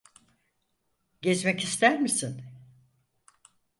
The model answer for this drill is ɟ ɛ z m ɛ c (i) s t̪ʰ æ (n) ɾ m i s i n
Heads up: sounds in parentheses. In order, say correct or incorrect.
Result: correct, incorrect: none

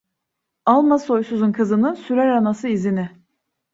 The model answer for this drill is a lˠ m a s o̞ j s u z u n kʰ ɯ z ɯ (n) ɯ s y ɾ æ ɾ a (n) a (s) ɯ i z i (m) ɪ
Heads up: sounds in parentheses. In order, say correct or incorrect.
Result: correct, correct, correct, incorrect: n

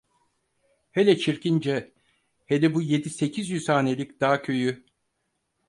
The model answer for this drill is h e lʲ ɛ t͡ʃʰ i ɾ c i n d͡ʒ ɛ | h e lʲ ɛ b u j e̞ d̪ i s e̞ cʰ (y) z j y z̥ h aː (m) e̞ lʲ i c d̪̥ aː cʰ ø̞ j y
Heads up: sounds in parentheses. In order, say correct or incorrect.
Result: incorrect: i, incorrect: n

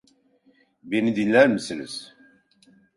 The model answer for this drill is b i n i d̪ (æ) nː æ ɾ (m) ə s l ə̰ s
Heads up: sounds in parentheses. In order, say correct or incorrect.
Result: incorrect: i, correct

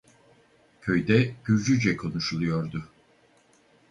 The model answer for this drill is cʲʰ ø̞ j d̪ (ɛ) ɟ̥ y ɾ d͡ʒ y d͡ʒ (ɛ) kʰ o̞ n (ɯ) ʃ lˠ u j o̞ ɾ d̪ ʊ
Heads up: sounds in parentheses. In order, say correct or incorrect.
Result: correct, correct, incorrect: u

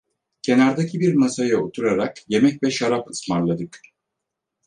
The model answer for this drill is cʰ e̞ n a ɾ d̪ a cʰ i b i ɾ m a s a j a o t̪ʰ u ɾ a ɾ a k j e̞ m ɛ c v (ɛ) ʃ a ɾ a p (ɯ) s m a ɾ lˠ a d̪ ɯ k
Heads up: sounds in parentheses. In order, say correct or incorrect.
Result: correct, correct

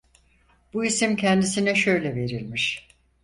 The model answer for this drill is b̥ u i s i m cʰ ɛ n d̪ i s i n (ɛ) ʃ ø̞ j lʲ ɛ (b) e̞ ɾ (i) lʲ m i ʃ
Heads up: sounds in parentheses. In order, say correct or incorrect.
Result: correct, incorrect: v, correct

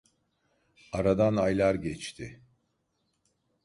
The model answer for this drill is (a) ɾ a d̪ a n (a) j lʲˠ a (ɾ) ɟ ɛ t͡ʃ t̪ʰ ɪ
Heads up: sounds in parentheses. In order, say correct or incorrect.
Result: correct, correct, correct

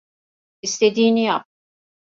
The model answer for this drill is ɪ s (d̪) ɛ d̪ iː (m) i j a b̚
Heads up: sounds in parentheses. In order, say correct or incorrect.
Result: incorrect: t̪, incorrect: n

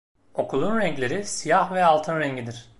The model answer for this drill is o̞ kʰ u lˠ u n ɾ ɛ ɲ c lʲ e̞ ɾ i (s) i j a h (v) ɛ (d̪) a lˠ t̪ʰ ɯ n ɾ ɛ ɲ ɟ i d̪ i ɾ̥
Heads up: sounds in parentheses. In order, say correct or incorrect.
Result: correct, correct, incorrect: none

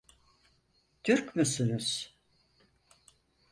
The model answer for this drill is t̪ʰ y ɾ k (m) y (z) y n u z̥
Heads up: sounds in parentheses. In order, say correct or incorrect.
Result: correct, incorrect: s

